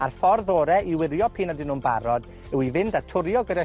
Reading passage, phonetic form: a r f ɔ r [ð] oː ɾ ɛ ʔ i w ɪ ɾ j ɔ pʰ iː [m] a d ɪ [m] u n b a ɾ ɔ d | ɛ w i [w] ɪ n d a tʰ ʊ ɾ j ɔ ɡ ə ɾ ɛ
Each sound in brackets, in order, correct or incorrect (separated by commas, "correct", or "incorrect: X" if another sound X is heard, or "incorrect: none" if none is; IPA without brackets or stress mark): correct, incorrect: n, incorrect: n, incorrect: v